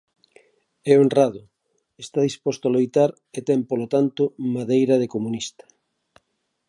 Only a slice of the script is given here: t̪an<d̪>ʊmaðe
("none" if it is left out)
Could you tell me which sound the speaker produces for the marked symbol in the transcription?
t̪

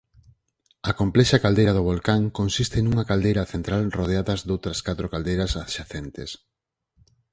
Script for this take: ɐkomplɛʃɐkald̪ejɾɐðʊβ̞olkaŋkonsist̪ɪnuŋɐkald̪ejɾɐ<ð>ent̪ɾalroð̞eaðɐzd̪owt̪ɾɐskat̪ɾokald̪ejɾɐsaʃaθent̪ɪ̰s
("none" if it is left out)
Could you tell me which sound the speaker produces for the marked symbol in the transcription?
θ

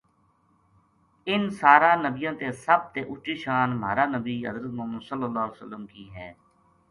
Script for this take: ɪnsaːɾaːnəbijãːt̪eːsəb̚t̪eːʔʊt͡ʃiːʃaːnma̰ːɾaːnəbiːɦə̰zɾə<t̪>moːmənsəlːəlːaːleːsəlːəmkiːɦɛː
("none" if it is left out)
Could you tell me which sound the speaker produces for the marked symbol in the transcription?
t̪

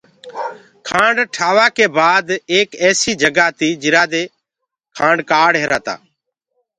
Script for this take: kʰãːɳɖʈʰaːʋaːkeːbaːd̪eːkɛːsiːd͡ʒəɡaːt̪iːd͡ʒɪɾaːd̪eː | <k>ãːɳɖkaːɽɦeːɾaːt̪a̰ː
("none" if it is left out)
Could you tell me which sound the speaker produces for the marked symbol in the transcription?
kʰ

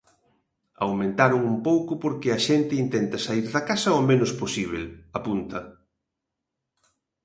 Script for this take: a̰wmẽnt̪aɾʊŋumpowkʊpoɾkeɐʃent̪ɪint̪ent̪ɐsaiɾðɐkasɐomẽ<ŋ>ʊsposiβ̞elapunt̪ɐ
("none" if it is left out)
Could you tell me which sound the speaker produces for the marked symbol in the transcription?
n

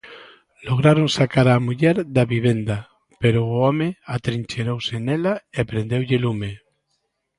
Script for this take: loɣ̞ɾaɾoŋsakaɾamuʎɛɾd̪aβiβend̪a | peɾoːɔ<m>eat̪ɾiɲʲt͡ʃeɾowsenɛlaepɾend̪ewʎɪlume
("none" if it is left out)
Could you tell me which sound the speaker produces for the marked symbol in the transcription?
m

